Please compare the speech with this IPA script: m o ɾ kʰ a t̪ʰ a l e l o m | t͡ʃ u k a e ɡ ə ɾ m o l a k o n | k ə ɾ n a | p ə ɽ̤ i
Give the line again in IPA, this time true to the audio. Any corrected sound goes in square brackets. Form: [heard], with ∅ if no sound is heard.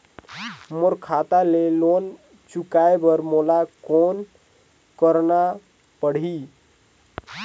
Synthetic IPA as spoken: m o ɾ kʰ a [t̪] a l e l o [n] | t͡ʃ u k a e [b] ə ɾ m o l a k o n | k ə ɾ n a | p ə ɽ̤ i